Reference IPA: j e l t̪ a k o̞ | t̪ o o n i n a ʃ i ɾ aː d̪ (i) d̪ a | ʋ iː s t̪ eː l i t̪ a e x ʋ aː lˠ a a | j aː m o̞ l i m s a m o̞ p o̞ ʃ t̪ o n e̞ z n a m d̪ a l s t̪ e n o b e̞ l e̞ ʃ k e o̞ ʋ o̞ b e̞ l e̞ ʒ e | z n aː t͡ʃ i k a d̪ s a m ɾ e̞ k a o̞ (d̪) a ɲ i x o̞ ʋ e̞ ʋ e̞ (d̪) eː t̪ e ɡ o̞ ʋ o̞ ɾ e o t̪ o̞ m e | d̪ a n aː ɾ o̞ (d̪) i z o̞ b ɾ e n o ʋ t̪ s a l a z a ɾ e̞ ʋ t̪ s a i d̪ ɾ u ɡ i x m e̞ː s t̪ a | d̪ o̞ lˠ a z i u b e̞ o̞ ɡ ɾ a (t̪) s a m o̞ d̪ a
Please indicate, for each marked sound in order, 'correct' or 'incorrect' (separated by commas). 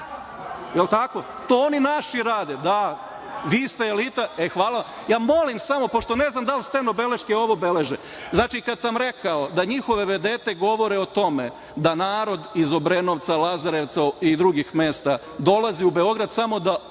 incorrect, correct, correct, correct, incorrect